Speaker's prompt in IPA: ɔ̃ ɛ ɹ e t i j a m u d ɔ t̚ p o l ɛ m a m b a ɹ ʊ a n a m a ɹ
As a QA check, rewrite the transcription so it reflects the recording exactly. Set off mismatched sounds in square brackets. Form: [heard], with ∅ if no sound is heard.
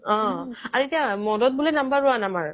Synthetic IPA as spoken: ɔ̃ [a] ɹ e t i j a m [ɔ] d ɔ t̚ [b] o l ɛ [n] a m b a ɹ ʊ a n a m a ɹ